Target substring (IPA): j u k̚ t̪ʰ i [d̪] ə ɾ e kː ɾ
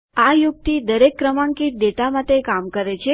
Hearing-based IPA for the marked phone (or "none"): d̪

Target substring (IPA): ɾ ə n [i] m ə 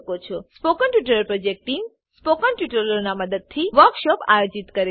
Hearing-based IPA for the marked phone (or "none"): a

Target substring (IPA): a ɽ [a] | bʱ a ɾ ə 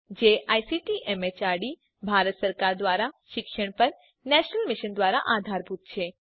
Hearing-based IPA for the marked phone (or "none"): i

